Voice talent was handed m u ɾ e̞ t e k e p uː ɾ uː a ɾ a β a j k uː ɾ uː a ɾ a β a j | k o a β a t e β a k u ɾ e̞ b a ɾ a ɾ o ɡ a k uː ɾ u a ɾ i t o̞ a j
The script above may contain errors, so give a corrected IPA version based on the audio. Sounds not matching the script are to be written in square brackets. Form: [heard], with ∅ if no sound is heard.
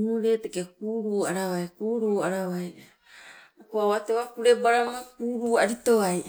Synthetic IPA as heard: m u ɾ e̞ t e k e [k] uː ɾ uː a ɾ a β a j k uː ɾ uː a ɾ a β a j | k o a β a t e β a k u ɾ e̞ b a ɾ a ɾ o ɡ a k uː ɾ u a ɾ i t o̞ a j